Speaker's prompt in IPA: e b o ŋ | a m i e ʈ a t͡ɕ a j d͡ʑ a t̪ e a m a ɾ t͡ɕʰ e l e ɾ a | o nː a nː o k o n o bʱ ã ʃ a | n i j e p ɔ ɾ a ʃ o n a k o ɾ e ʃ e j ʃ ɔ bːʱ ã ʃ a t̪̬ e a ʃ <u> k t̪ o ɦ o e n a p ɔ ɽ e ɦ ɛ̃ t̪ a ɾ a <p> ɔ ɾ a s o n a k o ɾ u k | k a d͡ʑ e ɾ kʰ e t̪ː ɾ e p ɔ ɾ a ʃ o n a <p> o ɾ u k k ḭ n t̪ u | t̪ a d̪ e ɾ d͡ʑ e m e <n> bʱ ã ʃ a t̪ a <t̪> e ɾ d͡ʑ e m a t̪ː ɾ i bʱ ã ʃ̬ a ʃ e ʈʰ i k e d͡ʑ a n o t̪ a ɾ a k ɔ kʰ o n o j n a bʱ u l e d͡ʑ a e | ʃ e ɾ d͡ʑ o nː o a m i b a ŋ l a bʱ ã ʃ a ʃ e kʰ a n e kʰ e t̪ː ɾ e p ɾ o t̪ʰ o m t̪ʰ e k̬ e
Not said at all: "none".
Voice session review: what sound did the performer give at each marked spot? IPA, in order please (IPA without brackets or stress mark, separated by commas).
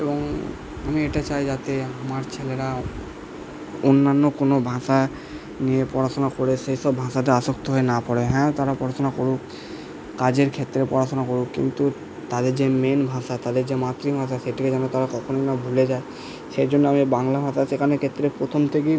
o, p, k, n, d̪